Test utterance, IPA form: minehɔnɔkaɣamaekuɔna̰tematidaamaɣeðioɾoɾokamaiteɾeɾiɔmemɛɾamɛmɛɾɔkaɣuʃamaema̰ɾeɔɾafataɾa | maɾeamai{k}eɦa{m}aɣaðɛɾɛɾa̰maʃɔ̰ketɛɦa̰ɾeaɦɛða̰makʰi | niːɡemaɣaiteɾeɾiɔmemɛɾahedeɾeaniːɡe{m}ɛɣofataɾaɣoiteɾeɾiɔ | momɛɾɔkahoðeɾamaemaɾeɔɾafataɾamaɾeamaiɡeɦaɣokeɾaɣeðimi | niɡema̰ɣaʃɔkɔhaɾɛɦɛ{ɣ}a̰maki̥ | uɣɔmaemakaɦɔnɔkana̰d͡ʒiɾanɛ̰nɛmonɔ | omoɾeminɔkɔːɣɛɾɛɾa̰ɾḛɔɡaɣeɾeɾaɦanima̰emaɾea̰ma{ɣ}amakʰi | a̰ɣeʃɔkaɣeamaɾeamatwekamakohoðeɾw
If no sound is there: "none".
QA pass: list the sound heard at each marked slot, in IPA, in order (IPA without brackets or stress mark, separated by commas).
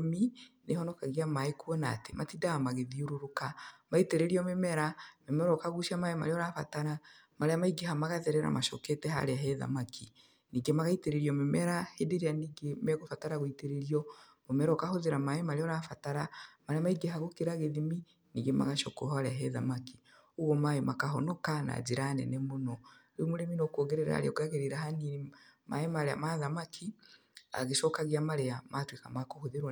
ɡ, m, m, ð, ð